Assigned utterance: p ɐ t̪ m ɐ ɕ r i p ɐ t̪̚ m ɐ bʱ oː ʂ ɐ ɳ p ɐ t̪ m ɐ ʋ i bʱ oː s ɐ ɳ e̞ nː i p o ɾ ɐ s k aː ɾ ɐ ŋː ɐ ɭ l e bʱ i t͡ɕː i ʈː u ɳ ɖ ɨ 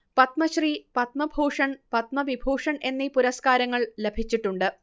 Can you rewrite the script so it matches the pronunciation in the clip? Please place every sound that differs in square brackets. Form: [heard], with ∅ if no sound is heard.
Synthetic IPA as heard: p ɐ t̪ m ɐ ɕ r i p ɐ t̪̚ m ɐ bʱ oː ʂ ɐ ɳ p ɐ t̪ m ɐ ʋ i bʱ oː [ʂ] ɐ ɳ e̞ nː i p [u] ɾ ɐ s k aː ɾ ɐ ŋː ɐ ɭ l e bʱ i t͡ɕː i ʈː u ɳ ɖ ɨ